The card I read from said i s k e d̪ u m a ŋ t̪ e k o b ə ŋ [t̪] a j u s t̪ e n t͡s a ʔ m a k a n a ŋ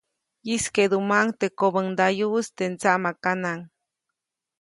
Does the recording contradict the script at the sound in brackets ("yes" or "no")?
yes